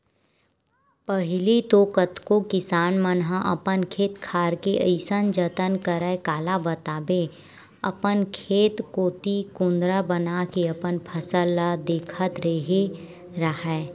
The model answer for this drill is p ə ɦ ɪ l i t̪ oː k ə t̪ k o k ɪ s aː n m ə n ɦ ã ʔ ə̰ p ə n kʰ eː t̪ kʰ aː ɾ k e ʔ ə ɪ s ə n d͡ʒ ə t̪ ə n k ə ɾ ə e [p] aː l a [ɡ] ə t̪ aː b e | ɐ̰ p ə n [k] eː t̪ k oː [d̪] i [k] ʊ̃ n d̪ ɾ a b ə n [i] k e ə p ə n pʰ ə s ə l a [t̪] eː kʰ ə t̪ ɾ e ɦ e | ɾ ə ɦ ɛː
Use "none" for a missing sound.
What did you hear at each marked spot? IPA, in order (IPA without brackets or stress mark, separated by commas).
k, b, kʰ, t̪, k, a, d̪